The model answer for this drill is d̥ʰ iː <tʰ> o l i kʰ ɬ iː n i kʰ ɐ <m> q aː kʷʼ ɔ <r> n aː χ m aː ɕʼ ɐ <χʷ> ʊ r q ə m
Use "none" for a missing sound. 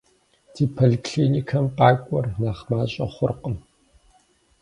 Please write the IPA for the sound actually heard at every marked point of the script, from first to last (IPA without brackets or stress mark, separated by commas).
pʰ, m, r, χʷ